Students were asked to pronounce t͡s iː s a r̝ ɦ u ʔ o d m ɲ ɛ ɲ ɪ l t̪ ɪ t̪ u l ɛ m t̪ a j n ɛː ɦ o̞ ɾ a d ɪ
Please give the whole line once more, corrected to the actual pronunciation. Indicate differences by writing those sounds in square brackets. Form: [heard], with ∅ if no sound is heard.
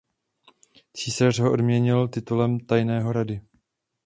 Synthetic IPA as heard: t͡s iː s a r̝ ɦ [o] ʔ o d m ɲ ɛ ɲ ɪ l t̪ ɪ t̪ u l ɛ m t̪ a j n ɛː ɦ o̞ ɾ a d ɪ